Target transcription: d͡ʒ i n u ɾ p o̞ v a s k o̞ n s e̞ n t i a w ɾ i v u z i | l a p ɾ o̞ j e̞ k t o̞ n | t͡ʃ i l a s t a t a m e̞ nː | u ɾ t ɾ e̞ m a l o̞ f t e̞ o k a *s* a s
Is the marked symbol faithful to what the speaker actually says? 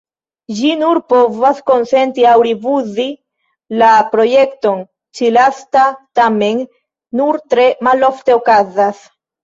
no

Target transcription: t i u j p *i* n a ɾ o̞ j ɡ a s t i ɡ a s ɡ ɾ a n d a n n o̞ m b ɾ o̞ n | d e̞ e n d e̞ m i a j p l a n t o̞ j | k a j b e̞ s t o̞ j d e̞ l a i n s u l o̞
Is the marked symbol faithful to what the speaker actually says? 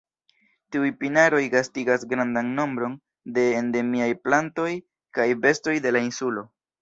yes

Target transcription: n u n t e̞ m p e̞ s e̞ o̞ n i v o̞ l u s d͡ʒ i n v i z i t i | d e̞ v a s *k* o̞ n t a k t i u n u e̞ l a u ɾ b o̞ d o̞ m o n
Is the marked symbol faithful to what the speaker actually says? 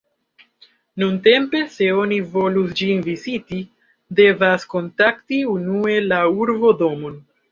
yes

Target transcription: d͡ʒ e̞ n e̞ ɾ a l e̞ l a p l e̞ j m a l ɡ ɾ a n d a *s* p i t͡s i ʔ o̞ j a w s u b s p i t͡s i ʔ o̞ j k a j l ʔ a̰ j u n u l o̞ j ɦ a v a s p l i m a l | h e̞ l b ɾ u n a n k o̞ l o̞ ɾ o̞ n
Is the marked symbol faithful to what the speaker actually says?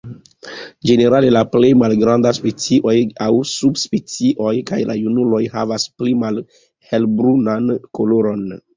yes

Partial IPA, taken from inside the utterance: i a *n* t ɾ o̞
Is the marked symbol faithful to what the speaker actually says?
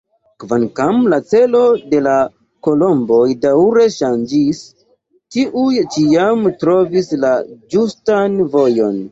no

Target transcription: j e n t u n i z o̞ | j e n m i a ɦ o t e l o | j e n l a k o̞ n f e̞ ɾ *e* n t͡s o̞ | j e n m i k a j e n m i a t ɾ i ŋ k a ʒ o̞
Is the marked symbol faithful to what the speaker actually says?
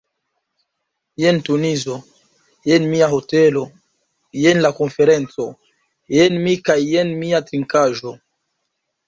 yes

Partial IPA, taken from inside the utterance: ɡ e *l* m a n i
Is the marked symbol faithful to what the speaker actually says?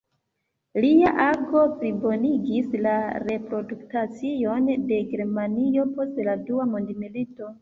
no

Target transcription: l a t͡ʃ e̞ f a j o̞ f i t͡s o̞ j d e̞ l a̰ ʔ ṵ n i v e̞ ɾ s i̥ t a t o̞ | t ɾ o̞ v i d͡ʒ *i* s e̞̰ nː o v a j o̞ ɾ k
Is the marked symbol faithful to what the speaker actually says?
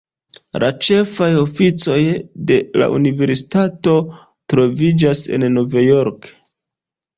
no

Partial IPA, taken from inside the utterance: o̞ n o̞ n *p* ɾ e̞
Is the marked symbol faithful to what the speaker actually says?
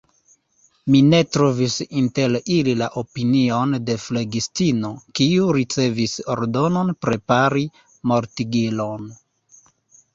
yes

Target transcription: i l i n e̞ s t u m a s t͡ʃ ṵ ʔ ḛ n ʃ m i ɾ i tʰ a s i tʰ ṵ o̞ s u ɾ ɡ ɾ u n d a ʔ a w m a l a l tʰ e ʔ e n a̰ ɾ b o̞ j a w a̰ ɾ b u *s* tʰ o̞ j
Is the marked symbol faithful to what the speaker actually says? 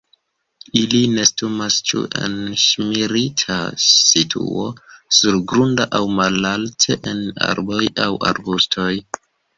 yes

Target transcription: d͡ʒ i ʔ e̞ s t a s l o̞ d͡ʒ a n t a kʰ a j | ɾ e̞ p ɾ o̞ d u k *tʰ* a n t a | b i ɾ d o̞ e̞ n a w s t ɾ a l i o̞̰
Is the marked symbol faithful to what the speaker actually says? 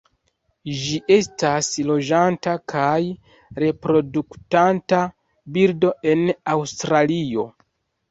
no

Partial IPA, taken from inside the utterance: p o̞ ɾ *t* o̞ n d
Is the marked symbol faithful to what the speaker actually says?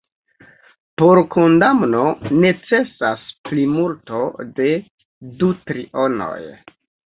no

